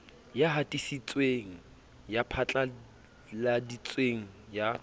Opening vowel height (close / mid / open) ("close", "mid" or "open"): open